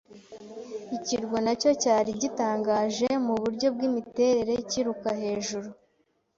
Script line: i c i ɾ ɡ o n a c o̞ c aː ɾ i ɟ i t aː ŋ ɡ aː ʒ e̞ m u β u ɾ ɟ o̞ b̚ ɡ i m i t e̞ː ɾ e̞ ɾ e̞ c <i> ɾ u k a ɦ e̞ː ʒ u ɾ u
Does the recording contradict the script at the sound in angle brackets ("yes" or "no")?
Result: no